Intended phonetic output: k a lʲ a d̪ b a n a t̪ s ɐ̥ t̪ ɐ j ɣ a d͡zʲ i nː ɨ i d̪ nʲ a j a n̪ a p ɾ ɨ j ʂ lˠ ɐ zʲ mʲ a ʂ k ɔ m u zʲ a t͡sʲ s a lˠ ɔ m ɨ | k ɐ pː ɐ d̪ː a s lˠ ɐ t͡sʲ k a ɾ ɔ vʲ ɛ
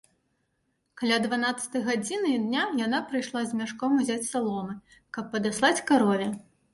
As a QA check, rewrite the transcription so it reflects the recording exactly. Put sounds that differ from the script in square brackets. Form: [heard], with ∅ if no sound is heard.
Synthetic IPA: k a lʲ a d̪ [v] a n a t̪ s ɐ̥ t̪ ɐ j ɣ a d͡zʲ i [n] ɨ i d̪ nʲ a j a n̪ a p ɾ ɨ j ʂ lˠ [a] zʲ mʲ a ʂ k ɔ m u zʲ a t͡sʲ s a lˠ ɔ m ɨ | k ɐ pː ɐ [d̪] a s lˠ [a] t͡sʲ k a ɾ ɔ vʲ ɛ